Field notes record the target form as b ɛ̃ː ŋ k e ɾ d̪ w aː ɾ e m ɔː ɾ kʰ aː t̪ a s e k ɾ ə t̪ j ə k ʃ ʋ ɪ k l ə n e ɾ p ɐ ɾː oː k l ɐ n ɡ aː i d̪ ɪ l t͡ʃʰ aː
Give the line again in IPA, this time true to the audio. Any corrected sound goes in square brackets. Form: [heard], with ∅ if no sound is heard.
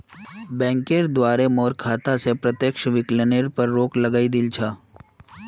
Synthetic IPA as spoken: b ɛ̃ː ŋ k e ɾ d̪ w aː ɾ e m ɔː ɾ kʰ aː t̪ a s e [p] ɾ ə t̪ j ə k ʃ ʋ ɪ k l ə n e ɾ p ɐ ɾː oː k l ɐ [∅] ɡ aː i d̪ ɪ l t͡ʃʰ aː